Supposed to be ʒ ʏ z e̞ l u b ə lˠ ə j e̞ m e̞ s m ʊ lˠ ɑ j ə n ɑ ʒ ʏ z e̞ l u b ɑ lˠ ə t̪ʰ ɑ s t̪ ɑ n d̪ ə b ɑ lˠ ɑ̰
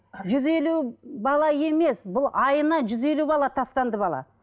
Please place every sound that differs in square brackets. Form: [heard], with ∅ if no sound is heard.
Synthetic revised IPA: ʒ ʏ z e̞ l u b [ɑ] lˠ [ɑ] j e̞ m e̞ s [b] ʊ lˠ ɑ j ə n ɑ ʒ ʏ z e̞ l u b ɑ lˠ [ɑ] t̪ʰ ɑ s t̪ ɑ n d̪ ə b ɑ lˠ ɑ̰